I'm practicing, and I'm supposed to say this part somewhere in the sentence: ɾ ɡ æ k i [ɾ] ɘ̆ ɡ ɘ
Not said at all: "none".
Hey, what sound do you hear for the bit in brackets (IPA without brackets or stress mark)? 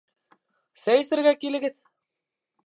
l